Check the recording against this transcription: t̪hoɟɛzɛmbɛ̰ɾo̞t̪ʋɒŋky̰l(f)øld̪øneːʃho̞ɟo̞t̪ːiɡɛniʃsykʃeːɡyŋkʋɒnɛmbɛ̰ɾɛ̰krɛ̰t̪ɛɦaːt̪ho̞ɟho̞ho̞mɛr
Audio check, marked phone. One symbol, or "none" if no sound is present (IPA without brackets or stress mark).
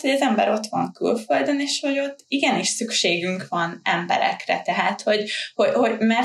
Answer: f